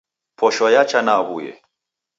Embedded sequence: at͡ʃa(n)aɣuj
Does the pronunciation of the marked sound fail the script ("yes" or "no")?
no